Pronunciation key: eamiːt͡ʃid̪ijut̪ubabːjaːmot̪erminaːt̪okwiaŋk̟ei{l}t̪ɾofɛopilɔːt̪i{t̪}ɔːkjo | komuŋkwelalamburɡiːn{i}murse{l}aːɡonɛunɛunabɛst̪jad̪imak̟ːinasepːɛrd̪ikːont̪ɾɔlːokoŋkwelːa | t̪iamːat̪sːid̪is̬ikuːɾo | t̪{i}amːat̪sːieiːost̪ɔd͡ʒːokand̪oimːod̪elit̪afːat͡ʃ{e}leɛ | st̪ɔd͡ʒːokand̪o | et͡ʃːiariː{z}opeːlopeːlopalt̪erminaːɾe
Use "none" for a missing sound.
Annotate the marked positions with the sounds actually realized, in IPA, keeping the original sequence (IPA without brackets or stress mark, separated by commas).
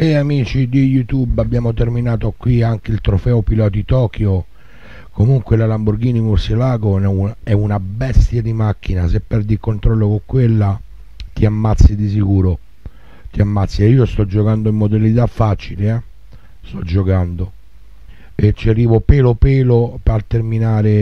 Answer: l, t̪, i, l, i, i, v